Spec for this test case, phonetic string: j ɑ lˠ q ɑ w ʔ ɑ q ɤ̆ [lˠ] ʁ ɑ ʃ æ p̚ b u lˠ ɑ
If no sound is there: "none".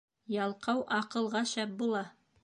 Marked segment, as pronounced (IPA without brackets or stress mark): lˠ